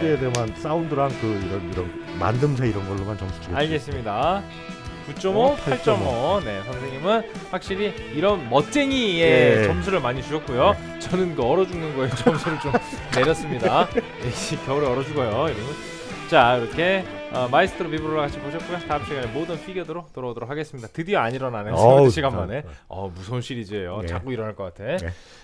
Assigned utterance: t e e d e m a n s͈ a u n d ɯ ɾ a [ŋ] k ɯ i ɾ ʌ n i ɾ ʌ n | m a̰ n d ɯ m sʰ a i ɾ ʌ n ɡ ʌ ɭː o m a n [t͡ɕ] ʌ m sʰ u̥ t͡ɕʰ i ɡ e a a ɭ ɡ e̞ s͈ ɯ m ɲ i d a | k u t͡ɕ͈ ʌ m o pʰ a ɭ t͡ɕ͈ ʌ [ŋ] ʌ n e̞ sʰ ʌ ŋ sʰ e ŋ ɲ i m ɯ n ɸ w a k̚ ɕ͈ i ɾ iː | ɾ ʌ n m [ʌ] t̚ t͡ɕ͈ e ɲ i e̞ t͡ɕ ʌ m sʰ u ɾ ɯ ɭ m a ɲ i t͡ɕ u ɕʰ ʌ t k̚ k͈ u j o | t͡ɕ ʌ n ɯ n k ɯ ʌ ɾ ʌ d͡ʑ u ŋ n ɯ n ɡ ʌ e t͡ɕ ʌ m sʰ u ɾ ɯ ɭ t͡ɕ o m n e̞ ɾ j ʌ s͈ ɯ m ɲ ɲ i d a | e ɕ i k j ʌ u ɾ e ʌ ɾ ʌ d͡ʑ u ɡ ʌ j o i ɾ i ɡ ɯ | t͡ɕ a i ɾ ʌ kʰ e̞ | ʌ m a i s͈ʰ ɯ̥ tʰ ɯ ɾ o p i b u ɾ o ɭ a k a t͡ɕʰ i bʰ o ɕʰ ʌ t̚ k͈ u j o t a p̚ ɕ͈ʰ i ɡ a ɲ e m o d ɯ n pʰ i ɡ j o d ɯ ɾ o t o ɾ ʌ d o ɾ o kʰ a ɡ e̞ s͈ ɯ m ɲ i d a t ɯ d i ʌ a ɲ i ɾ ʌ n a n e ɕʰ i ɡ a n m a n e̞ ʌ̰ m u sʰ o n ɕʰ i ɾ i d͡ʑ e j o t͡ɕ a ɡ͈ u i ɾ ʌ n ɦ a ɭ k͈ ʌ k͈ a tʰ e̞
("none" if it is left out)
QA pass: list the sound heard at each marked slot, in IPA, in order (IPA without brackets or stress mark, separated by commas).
ŋ, t͡ɕ, m, ʌ